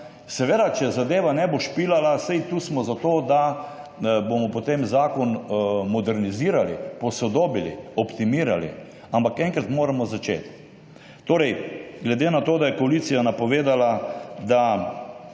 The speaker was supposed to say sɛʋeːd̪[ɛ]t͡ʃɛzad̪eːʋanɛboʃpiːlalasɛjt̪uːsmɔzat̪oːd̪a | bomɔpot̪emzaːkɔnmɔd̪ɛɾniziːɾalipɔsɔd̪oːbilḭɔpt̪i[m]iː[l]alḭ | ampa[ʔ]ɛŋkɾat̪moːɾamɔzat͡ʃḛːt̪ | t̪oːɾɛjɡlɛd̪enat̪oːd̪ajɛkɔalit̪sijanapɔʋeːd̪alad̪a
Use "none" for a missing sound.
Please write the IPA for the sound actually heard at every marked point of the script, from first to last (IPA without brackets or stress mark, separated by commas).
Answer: a, m, ɾ, k